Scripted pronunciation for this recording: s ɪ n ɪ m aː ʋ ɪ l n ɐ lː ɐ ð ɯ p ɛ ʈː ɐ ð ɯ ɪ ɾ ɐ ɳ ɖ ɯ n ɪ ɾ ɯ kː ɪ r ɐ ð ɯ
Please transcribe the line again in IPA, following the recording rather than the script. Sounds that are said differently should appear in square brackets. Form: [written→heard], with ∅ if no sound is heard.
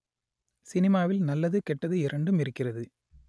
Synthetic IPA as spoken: s ɪ n ɪ m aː ʋ ɪ l n ɐ lː ɐ ð ɯ [p→k] ɛ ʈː ɐ ð ɯ ɪ ɾ ɐ ɳ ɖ ɯ [n→m] ɪ ɾ ɯ kː ɪ r ɐ ð ɯ